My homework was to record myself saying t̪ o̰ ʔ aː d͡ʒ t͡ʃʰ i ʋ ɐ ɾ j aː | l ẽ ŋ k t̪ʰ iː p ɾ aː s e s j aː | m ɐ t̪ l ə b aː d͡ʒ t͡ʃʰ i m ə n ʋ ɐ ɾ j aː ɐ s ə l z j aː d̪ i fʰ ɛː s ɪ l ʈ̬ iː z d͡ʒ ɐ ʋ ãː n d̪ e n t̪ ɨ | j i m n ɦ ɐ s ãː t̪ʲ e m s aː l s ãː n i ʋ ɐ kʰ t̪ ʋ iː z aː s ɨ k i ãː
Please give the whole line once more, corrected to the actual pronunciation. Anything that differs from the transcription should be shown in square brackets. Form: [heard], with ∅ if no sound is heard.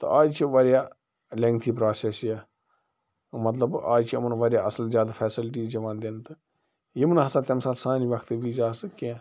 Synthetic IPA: t̪ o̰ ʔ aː d͡ʒ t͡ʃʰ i ʋ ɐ ɾ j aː | l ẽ ŋ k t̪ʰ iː p ɾ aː s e s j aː | m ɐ t̪ l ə b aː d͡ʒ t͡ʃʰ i m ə n ʋ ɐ ɾ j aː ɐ s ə l z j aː d̪ [a] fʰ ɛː s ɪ l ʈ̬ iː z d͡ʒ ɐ ʋ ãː n d̪ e n t̪ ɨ | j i m n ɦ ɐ s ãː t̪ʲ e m s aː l s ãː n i ʋ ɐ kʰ t̪ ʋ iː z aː s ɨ k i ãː